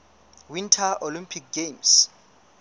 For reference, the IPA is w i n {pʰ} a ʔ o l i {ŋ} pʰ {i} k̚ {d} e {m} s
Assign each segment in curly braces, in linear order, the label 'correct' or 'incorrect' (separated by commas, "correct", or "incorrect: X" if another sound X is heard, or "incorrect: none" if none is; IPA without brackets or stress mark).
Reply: incorrect: tʰ, incorrect: m, correct, incorrect: ɡ, correct